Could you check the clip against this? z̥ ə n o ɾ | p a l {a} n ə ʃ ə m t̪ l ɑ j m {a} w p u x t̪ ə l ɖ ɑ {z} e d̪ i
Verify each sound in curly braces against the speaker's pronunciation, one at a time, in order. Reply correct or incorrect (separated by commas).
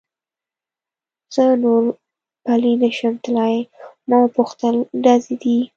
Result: incorrect, incorrect, correct